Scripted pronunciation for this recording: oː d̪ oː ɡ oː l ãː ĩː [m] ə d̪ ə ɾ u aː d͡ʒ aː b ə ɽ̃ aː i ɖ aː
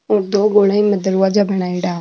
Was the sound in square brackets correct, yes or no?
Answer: yes